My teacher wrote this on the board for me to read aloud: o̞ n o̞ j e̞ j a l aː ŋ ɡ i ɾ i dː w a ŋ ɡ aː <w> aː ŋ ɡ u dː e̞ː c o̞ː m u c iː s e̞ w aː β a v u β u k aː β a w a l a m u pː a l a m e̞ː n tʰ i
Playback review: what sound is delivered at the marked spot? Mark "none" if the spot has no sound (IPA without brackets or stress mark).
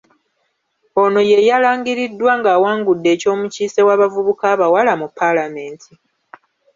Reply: w